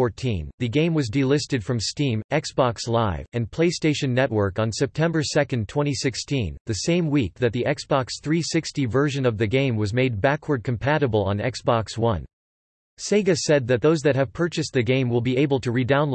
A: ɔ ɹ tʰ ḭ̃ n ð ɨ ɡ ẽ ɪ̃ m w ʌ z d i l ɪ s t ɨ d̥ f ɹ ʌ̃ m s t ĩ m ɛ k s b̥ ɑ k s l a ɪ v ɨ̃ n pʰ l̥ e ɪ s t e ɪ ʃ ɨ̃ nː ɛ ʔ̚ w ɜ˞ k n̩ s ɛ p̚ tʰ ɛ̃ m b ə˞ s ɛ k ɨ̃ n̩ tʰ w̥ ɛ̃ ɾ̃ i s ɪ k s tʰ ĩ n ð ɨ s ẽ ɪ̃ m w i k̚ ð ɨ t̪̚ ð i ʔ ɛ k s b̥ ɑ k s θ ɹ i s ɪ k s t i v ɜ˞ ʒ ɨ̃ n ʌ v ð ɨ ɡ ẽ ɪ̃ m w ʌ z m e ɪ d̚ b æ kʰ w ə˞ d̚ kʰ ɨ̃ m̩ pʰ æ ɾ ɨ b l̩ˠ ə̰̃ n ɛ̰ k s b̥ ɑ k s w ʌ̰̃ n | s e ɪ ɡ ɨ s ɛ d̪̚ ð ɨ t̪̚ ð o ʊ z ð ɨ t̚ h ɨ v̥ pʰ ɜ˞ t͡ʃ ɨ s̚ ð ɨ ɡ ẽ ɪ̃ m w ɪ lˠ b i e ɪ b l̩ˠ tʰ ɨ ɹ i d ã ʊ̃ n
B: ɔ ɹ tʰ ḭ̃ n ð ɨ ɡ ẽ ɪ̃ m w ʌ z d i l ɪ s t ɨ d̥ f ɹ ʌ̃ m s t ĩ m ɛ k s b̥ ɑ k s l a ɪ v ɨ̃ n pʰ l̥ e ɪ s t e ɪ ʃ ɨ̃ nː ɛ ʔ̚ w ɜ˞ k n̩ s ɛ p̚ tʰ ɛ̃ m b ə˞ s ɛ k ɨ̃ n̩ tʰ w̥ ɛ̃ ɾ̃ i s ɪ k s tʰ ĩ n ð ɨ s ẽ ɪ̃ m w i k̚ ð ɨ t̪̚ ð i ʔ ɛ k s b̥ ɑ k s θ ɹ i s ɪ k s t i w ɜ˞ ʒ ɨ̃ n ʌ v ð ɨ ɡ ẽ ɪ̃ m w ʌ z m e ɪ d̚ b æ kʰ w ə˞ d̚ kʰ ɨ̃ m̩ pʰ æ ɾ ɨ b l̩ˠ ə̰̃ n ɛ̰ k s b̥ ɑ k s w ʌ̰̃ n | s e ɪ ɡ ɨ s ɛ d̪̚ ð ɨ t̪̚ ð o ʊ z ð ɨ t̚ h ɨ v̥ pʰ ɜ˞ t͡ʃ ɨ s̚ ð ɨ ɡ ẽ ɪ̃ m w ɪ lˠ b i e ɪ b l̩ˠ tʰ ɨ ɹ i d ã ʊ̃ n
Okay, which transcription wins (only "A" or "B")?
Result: A